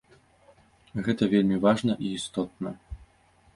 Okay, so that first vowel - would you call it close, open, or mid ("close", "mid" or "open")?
mid